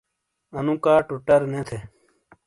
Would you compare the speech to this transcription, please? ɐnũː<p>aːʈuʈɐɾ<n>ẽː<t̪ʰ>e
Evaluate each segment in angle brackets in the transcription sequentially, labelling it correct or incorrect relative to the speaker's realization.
incorrect: k, correct, correct

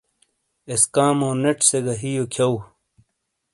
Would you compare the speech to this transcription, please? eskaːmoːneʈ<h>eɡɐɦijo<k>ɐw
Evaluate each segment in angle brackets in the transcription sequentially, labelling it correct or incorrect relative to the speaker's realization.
incorrect: s, incorrect: kʰ

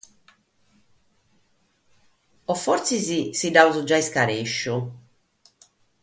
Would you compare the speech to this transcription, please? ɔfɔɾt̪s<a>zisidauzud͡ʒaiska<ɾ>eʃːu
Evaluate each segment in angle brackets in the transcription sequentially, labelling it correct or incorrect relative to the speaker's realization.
incorrect: i, correct

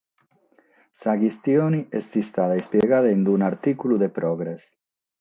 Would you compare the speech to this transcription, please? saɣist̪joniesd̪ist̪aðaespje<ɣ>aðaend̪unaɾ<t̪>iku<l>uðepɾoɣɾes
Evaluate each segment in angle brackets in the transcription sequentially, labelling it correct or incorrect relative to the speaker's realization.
correct, correct, correct

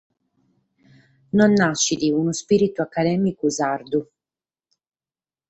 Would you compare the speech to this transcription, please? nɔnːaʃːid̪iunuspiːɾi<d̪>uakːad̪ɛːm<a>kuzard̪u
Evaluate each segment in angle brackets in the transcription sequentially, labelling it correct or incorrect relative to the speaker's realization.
incorrect: t̪, incorrect: i

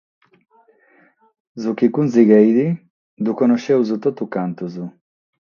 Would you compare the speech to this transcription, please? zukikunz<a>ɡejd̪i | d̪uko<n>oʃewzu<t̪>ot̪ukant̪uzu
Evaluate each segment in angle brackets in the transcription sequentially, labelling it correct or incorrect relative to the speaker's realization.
incorrect: i, correct, correct

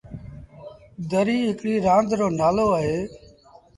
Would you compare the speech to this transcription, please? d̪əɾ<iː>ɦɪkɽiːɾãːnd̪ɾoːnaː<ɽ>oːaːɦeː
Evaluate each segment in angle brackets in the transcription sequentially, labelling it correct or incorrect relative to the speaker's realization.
correct, incorrect: l

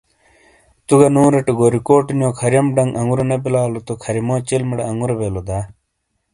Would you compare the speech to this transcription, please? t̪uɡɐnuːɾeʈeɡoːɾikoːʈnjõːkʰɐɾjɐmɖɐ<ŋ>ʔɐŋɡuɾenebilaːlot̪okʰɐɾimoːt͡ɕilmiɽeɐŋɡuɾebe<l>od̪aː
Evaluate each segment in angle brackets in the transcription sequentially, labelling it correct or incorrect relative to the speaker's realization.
correct, correct

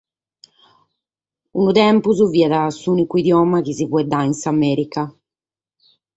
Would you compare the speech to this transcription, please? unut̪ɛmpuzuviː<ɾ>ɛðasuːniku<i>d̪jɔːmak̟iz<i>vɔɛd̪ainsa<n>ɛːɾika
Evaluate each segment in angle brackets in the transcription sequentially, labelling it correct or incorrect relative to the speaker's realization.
incorrect: none, correct, correct, incorrect: m

